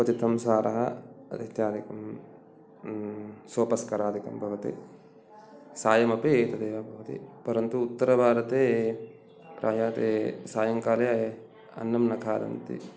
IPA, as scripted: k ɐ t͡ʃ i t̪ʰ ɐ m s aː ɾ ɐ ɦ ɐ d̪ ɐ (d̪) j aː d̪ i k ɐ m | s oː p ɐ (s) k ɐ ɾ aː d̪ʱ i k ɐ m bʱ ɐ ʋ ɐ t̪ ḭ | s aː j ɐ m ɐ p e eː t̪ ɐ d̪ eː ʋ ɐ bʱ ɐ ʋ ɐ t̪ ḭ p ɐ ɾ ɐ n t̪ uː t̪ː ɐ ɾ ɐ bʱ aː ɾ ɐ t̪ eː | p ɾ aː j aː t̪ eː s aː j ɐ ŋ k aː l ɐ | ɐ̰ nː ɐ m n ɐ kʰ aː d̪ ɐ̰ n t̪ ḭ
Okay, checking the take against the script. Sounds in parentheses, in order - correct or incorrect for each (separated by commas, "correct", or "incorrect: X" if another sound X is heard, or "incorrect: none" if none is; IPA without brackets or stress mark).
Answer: incorrect: t̪, correct